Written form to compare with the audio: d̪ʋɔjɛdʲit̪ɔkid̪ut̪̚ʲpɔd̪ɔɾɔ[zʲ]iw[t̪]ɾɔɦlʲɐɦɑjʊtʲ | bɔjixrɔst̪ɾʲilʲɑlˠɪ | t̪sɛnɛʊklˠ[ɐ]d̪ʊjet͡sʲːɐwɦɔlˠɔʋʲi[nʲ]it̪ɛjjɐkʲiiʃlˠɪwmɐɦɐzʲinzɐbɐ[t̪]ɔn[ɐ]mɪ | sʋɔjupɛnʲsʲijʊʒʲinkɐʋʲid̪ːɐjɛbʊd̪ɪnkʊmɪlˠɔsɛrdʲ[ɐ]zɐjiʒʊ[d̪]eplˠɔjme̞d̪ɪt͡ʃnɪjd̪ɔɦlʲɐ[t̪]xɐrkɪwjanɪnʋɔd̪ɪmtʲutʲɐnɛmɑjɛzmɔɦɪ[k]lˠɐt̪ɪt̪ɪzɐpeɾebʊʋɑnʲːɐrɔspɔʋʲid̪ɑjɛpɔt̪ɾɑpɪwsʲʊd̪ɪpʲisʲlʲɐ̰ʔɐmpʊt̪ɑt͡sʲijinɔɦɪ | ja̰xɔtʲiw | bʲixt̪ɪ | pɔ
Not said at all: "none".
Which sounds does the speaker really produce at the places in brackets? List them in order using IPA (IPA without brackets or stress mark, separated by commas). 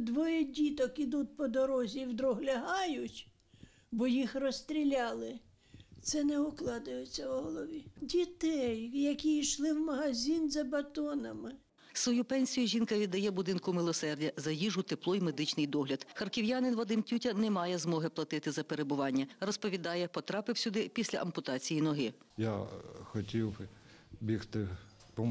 zʲ, d̪, ɑ, dʲ, t̪, ɐ, ɐ, t̪, d̪, p